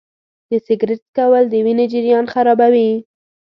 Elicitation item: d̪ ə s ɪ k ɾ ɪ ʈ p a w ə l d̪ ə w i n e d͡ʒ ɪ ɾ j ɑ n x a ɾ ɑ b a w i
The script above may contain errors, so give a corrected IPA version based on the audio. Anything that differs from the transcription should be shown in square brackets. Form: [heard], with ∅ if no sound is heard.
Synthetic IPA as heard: d̪ ə s ɪ [ɡ] ɾ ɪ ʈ [k] a w ə l d̪ ə w i n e d͡ʒ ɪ ɾ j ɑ n x a ɾ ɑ b a w i

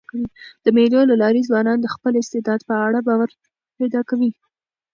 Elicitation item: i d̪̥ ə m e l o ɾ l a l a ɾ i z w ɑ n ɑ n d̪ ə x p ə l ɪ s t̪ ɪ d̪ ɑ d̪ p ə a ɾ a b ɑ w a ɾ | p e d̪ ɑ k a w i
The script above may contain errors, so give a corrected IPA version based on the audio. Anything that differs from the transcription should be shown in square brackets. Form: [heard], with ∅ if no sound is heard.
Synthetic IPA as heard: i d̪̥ ə m e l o [∅] l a l [ɑ] ɾ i z w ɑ n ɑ n d̪ ə x p ə l ɪ s t̪ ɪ d̪ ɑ d̪ p ə a [ɽ] a b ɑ w a ɾ | p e d̪ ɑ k a w i

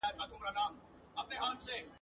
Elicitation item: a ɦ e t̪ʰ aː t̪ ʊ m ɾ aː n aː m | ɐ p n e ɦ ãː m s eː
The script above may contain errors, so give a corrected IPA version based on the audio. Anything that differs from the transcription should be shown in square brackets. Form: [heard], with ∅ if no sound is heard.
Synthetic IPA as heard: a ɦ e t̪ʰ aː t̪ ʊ m ɾ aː n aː m | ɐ p n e ɦ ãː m s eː

